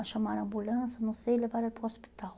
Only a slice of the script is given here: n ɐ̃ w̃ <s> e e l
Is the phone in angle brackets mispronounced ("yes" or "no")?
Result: no